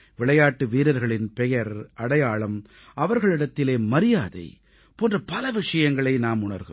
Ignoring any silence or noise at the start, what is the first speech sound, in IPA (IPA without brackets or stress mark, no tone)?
ʋ